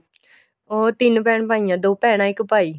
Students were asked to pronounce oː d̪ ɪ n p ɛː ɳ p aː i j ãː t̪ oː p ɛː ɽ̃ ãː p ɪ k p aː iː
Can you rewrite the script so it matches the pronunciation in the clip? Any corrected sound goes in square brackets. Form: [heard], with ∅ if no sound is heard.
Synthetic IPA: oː [t̪] ɪ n p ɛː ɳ p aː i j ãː [d̪] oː p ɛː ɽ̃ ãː [∅] ɪ k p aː iː